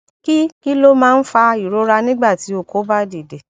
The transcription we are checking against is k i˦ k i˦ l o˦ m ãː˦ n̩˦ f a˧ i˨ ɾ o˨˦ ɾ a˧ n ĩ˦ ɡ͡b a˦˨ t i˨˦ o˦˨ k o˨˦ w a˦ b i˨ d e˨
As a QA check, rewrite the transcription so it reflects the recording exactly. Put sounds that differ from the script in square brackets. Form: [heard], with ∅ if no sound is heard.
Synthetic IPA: k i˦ k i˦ l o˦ m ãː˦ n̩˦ f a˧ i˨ ɾ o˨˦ ɾ a˧ n ĩ˦ ɡ͡b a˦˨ t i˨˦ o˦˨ k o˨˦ [b] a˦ [d] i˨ d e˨